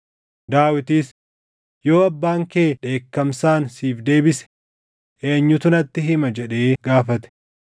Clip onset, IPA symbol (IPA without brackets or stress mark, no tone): d̪